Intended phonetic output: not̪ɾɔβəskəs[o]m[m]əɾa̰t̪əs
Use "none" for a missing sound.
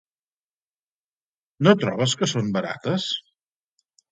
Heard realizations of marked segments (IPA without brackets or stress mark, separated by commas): o, b